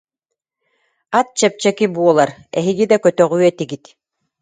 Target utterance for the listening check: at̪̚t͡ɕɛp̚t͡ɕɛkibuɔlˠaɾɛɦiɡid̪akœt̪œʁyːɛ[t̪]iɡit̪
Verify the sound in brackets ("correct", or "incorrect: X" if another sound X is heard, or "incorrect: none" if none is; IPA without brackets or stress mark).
correct